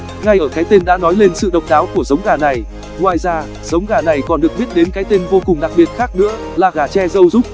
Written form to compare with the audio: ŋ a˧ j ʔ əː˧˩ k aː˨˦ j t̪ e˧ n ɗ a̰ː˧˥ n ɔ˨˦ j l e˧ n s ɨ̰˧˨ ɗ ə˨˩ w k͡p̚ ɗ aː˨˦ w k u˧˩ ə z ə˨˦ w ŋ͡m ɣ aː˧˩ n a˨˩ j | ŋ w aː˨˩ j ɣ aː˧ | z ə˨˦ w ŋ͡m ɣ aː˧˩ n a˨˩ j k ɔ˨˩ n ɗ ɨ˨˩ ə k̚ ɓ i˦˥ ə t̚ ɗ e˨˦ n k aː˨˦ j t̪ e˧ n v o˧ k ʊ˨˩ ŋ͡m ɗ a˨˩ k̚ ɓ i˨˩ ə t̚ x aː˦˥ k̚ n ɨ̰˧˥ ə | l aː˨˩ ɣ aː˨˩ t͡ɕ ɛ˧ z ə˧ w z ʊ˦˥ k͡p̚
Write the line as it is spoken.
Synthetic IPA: ŋ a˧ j ʔ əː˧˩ k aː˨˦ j t̪ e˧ n ɗ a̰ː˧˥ n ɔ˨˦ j l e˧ n s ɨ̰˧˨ ɗ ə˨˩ w k͡p̚ ɗ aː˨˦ w k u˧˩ ə z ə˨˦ w ŋ͡m ɣ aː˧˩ n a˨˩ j | ŋ w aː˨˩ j z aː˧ | z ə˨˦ w ŋ͡m ɣ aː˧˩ n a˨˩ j k ɔ˨˩ n ɗ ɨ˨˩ ə k̚ ɓ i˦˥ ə t̚ ɗ e˨˦ n k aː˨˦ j t̪ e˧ n v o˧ k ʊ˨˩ ŋ͡m ɗ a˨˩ k̚ ɓ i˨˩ ə t̚ x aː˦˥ k̚ n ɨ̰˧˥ ə | l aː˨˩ ɣ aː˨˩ t͡ɕ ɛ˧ z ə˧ w z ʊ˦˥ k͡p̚